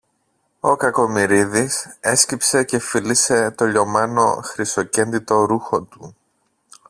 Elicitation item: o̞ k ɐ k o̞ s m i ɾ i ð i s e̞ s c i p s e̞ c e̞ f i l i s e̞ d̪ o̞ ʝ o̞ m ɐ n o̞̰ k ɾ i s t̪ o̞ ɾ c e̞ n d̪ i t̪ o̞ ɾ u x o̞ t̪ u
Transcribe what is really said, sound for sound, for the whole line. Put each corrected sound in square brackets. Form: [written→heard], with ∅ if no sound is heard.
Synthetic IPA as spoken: o̞ k ɐ k o̞ [s→∅] m i ɾ i ð i s e̞ s c i p s e̞ c e̞ f i l i s e̞ [d̪→t̪] o̞ [ʝ→ʎ] o̞ m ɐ n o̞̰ [k→x] ɾ i s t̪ o̞ [ɾ→∅] c e̞ n d̪ i t̪ o̞ ɾ u x o̞ t̪ u